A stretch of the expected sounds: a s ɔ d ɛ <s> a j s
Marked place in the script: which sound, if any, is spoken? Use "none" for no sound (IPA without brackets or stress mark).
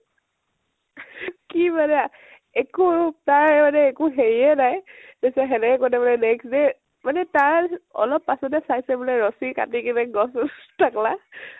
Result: s